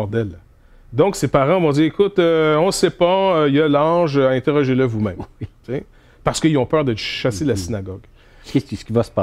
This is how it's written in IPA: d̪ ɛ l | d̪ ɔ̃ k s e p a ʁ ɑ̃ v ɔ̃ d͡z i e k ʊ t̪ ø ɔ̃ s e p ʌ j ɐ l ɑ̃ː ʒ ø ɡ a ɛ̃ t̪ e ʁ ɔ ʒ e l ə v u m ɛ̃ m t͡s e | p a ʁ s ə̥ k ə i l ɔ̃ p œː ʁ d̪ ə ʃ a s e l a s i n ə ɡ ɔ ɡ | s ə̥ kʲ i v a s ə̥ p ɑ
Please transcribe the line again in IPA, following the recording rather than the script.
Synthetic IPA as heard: d̪ ɛ l | d̪ ɔ̃ k s e p a ʁ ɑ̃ v ɔ̃ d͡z i e k ʊ t̪ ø ɔ̃ s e p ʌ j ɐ l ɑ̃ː ʒ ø a ɛ̃ t̪ e ʁ ɔ ʒ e l ə v u m ɛ̃ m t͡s e | p a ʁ s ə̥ k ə i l ɔ̃ p œː ʁ d̪ ə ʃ a s e l a s i n a ɡ ɔ ɡ | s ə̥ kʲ i v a s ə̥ p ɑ